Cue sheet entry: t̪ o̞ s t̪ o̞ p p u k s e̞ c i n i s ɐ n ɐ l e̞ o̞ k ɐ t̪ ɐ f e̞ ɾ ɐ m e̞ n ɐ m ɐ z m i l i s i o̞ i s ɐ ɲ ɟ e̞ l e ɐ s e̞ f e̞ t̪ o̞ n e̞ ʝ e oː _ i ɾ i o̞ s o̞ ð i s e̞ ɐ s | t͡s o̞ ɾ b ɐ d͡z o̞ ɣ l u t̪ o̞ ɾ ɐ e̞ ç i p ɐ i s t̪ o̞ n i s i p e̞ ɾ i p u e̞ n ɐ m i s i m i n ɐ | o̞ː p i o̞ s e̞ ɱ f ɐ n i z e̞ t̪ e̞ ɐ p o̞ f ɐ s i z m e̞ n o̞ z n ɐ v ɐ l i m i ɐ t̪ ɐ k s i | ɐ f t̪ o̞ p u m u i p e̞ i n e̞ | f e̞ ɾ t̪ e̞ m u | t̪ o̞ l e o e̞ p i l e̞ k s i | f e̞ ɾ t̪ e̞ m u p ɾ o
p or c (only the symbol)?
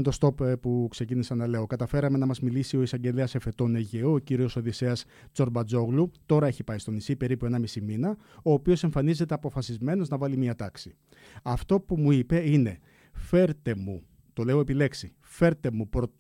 c